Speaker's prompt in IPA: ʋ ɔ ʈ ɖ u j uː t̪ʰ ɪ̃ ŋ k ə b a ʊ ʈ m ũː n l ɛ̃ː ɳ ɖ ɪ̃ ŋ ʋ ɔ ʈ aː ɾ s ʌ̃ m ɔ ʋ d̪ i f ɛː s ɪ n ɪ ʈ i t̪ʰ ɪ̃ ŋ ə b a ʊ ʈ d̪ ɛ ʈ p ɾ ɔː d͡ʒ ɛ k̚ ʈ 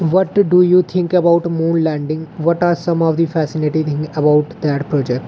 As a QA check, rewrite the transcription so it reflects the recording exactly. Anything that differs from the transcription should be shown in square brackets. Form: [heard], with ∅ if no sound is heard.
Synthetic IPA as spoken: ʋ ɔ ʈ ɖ u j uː t̪ʰ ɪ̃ ŋ k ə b a ʊ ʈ m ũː n l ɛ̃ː ɳ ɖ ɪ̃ ŋ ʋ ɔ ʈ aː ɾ s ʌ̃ m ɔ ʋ d̪ i f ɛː s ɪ n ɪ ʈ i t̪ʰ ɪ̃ ŋ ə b a ʊ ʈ d̪ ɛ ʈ p ɾ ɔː d͡ʒ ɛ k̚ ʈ